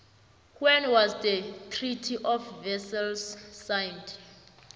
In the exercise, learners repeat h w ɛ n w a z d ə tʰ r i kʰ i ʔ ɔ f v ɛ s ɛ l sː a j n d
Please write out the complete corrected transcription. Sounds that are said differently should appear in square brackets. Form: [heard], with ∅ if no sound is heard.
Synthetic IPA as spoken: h w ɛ n w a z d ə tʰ r i [tʰ] i ʔ ɔ f v ɛ s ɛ l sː a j n d

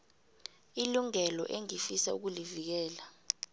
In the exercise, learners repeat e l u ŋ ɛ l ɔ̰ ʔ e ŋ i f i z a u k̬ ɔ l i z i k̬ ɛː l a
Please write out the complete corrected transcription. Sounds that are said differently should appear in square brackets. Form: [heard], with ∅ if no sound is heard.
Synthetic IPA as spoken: [i] l u ŋ ɛ l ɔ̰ ʔ e ŋ i f i [s] a u k̬ [u] l i [v] i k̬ ɛː l a

